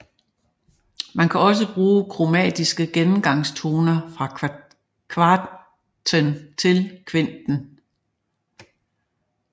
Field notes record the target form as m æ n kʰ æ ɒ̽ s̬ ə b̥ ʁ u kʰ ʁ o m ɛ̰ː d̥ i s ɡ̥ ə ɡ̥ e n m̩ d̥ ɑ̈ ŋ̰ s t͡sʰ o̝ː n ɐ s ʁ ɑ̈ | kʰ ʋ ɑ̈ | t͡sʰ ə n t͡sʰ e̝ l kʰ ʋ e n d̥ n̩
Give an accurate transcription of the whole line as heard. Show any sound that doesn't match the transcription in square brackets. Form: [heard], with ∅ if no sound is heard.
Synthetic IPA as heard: m æ n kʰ æ ɒ̽ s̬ ə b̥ ʁ [uː] kʰ ʁ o m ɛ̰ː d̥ i s ɡ̥ ə ɡ̥ e n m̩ [ɡ̥] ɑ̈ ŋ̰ s t͡sʰ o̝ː n ɐ [f] ʁ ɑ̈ | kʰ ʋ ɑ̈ | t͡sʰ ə n t͡sʰ e̝ l kʰ ʋ e n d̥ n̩